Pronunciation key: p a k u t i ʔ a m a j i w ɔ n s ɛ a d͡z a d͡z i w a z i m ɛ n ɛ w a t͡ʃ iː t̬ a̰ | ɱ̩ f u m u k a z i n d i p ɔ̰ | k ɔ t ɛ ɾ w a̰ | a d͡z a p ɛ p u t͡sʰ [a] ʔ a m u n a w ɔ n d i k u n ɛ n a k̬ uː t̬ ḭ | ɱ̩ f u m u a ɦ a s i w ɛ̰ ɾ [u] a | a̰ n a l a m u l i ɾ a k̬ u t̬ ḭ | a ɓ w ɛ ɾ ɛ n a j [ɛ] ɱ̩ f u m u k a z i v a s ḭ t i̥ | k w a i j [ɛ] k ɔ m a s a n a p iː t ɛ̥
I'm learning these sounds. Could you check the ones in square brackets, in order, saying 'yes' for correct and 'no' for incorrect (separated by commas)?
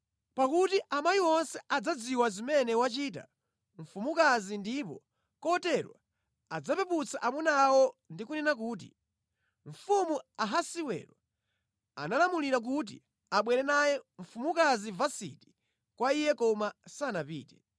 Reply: yes, no, yes, yes